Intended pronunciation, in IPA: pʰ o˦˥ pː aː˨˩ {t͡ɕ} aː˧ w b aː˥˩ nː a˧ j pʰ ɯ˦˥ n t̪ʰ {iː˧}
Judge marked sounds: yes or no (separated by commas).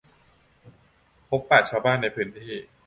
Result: no, no